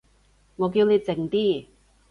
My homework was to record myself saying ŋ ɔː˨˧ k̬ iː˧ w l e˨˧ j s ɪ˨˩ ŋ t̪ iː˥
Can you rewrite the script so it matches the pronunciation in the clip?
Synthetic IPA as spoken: ŋ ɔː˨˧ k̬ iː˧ w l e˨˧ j t͡s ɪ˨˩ ŋ t̪ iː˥